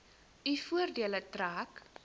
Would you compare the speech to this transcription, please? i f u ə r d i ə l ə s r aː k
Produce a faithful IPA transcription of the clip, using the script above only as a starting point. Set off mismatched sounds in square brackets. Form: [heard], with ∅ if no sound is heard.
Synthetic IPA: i f u ə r d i ə l ə [t] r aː k